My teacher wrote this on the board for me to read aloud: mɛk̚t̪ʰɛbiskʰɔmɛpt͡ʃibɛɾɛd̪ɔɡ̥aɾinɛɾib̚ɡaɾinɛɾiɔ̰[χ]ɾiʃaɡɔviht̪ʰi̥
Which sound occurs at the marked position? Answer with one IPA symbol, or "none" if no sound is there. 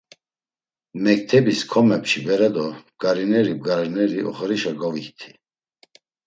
χ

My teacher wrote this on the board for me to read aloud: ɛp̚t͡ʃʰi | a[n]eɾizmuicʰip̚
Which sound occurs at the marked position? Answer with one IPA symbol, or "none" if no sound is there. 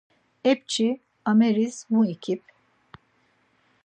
m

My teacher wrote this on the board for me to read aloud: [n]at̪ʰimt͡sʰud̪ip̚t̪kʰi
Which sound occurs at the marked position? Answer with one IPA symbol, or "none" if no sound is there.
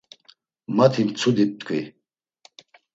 m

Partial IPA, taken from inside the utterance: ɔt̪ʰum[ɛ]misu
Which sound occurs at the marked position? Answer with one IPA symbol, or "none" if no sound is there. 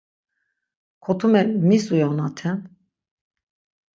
ɛ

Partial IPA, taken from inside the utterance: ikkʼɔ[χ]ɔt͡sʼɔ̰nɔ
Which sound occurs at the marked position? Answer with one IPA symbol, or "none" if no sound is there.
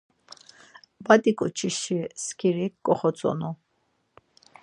χ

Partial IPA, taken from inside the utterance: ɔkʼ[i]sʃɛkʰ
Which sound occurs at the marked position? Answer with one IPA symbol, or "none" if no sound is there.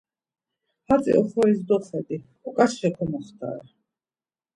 a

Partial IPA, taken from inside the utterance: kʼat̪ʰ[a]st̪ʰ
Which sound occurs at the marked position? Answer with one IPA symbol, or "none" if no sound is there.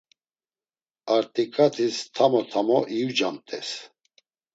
i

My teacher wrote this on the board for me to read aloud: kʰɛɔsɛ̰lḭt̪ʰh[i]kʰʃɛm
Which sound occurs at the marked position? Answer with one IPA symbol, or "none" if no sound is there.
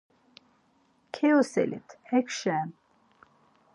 ɛ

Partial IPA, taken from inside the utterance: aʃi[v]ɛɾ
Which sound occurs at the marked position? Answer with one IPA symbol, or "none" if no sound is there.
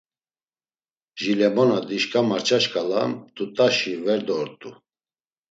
v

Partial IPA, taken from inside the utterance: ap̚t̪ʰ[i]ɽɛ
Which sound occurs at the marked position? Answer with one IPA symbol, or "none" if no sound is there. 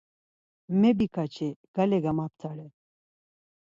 a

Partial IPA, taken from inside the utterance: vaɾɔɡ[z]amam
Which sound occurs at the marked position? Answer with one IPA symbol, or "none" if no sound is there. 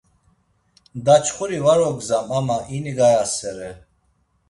z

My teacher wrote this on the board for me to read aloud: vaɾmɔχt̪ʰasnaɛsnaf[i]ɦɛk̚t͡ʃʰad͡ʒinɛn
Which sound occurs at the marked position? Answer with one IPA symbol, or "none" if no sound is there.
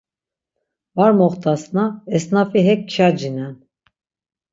i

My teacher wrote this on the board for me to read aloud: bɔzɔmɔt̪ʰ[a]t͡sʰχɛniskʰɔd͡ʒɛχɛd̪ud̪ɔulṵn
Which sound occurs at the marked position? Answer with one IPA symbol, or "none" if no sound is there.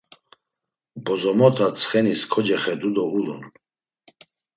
a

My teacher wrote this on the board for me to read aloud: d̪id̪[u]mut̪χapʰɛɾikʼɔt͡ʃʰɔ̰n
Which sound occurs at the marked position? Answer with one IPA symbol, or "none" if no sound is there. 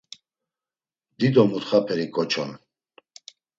ɔ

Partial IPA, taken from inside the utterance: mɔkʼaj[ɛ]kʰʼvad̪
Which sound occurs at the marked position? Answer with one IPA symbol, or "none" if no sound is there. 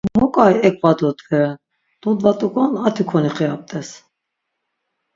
ɛ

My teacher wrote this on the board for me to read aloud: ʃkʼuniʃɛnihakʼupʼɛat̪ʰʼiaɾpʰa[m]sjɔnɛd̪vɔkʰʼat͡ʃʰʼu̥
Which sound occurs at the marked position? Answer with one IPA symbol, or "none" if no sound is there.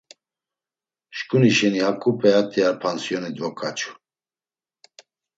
n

